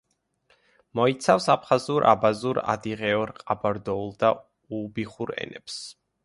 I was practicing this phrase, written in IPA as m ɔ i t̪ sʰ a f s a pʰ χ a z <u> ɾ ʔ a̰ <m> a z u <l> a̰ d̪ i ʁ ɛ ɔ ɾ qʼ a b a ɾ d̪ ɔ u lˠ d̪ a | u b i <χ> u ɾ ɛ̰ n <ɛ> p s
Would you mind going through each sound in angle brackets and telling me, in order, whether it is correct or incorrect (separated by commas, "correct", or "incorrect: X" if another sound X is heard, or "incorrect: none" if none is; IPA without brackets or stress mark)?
correct, incorrect: b, incorrect: ɾ, correct, correct